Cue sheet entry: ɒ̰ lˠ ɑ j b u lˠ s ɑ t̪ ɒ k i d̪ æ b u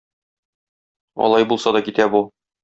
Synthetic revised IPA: ɒ̰ lˠ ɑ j b u lˠ s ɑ d̪ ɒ k i t̪ æ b u

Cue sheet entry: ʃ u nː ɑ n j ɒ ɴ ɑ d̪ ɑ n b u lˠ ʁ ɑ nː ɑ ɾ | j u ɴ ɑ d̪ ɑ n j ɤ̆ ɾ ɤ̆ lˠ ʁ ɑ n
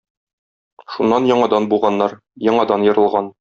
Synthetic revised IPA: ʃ u nː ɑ n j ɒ ɴ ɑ d̪ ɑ n b u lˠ ʁ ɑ nː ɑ ɾ | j ɒ ɴ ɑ d̪ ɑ n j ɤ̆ ɾ ɤ̆ lˠ ʁ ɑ n

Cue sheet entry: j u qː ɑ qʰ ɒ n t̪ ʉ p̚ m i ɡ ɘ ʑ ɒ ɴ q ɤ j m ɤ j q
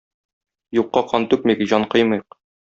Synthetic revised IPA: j u qː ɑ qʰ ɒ n t̪ ʉ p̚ m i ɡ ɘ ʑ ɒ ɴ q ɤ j m ɤ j q

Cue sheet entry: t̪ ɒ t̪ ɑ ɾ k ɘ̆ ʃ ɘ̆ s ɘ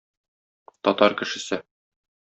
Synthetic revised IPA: t̪ ɒ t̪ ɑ ɾ k ɘ̆ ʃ ɘ̆ s ɘ

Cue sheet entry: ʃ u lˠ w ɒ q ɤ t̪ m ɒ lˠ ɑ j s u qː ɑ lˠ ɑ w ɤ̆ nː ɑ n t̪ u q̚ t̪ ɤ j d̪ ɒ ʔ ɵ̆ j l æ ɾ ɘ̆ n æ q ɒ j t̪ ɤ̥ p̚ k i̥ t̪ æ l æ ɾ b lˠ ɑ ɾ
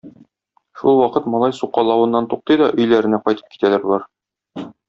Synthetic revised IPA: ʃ u lˠ w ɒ q ɤ t̪ m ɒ lˠ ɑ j s u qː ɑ lˠ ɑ w ɤ̆ nː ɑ n t̪ u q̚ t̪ ɤ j d̪ ɒ ʔ ɵ̆ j l æ ɾ ɘ̆ n æ q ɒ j t̪ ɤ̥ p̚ k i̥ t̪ æ l æ ɾ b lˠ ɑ ɾ

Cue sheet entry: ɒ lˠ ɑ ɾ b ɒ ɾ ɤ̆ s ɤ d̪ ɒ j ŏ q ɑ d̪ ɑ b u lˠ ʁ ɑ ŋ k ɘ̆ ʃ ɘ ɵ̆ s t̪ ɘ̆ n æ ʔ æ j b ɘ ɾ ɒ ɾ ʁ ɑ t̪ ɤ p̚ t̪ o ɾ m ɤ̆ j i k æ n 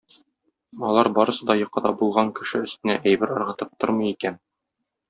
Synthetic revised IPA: ɒ lˠ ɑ ɾ b ɒ ɾ ɤ̆ s ɤ d̪ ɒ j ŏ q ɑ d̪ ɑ b u lˠ ʁ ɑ ŋ k ɘ̆ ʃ ɘ ɵ̆ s t̪ ɘ̆ n æ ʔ æ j b ɘ ɾ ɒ ɾ ʁ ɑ t̪ ɤ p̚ t̪ o ɾ m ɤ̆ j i k æ n

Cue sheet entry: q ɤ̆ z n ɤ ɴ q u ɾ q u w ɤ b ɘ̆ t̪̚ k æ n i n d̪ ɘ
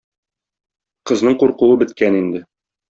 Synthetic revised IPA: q ɤ̆ z n ɤ ɴ q u ɾ q u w ɤ b ɘ̆ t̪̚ k æ n i n d̪ ɘ

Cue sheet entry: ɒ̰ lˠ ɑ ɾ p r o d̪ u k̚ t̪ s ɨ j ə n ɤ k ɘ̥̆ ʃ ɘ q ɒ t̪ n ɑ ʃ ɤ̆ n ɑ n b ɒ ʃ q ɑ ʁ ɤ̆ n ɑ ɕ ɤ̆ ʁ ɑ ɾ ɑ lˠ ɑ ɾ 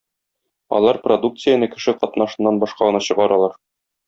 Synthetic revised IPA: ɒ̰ lˠ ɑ ɾ p r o d̪ u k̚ t̪ s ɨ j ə n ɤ k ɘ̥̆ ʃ ɘ q ɒ t̪ n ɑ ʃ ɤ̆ nː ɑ n b ɒ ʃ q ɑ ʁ ɤ̆ n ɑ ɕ ɤ̆ ʁ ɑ ɾ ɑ lˠ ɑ ɾ

